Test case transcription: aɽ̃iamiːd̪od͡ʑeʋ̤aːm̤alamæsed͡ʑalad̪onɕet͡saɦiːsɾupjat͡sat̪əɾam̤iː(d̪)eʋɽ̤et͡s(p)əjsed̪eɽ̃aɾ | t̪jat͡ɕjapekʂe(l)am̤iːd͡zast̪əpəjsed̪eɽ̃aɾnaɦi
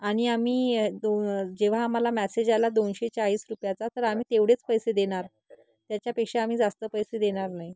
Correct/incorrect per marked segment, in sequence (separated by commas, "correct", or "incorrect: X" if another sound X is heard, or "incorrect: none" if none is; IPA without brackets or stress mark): incorrect: t̪, correct, incorrect: none